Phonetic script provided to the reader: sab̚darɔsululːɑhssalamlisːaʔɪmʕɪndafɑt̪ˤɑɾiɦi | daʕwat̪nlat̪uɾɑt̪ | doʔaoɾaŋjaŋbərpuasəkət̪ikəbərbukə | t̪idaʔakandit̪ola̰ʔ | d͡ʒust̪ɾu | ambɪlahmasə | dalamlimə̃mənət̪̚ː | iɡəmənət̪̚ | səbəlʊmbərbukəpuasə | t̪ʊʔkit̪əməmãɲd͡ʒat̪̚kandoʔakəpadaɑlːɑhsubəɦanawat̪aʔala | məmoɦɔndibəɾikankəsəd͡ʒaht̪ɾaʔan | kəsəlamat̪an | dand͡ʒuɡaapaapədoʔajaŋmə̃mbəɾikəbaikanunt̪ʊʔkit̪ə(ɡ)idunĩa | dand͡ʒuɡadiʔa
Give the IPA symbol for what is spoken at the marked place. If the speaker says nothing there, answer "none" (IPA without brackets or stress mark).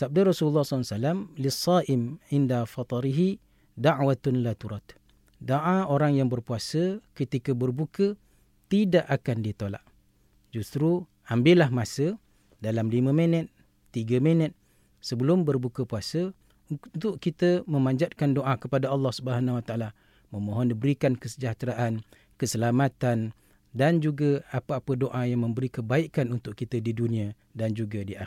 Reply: d